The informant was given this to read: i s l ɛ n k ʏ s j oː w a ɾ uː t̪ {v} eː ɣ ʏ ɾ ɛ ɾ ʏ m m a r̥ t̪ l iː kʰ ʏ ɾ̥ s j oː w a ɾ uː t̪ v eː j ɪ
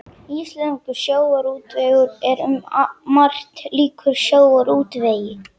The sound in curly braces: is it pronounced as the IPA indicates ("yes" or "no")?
yes